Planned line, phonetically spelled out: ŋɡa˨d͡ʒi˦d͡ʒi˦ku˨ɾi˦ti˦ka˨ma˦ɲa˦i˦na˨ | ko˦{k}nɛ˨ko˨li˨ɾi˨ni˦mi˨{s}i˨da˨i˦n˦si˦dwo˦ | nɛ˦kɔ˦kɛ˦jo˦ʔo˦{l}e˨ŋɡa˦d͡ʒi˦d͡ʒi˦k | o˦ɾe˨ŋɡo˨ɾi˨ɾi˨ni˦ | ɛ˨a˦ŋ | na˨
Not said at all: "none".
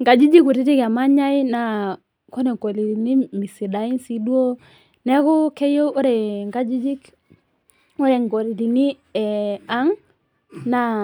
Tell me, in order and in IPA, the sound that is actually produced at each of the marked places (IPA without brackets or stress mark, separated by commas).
none, s, ɾ